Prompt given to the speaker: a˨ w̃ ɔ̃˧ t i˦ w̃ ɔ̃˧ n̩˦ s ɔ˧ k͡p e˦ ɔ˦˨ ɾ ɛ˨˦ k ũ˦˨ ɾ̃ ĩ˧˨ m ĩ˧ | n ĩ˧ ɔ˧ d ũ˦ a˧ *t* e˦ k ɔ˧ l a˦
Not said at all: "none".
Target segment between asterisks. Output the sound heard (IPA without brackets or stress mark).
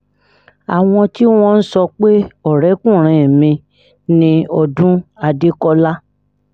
d